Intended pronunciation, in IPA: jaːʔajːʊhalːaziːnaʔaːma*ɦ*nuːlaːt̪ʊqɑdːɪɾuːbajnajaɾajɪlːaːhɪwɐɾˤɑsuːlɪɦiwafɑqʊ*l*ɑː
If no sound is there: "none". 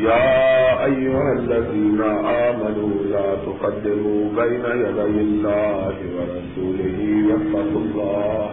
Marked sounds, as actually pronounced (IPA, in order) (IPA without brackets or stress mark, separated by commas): none, lː